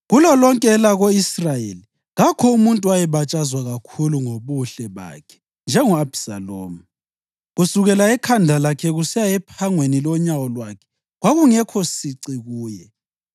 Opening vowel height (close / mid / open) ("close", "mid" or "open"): close